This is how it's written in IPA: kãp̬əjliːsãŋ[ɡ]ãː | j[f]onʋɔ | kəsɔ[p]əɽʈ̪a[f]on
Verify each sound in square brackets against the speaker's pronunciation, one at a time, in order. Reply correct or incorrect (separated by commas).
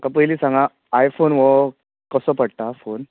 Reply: correct, correct, correct, correct